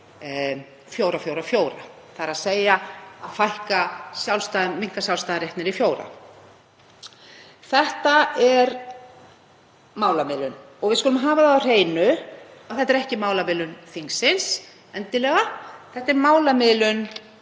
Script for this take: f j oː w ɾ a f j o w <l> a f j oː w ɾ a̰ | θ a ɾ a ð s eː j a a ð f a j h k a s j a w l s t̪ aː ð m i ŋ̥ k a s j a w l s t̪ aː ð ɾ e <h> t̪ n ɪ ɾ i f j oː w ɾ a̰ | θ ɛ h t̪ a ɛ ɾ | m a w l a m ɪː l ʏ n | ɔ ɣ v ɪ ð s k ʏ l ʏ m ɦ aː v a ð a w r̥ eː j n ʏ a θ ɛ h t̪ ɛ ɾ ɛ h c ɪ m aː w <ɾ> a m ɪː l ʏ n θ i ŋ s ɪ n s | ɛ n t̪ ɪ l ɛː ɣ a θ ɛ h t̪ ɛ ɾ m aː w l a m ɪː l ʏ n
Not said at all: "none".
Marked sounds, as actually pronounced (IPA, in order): ɾ, h, l

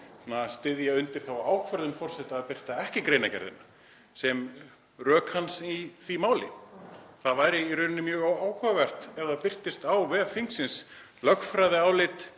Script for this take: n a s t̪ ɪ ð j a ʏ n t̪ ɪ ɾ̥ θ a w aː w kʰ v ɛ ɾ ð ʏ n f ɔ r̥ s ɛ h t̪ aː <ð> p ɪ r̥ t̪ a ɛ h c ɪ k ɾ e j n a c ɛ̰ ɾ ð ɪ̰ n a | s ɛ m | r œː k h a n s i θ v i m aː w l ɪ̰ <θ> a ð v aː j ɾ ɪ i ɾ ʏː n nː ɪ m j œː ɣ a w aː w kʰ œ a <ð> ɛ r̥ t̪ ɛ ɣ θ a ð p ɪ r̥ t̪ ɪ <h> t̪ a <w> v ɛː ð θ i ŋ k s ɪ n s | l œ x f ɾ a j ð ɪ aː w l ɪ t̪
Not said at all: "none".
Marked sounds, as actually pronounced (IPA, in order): ð, θ, v, s, w

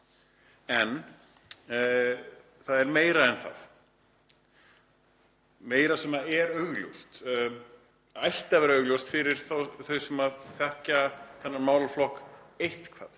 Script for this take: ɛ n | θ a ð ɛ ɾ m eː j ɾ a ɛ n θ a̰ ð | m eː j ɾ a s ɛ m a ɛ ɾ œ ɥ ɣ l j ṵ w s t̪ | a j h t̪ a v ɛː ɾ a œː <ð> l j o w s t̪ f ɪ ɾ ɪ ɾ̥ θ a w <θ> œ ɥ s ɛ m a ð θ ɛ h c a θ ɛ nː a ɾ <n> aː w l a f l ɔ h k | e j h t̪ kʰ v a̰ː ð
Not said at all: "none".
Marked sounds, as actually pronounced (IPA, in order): ɣ, θ, m

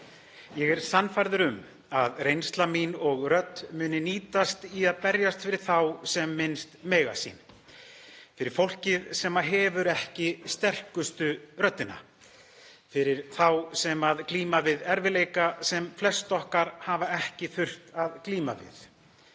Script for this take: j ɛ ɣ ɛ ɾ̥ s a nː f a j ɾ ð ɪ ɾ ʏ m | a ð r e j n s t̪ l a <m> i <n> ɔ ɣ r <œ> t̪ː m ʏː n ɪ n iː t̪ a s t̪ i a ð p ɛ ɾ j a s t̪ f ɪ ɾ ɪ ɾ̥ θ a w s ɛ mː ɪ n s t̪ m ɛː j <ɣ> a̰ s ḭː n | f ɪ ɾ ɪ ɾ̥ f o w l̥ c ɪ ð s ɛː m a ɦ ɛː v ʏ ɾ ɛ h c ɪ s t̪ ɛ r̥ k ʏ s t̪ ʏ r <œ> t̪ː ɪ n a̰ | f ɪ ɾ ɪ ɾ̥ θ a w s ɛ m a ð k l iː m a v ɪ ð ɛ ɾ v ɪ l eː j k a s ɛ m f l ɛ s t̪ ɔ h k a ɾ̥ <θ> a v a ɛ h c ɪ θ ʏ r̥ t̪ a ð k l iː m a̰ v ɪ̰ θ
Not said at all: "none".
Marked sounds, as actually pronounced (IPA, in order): m, n, œ, ɣ, œ, h

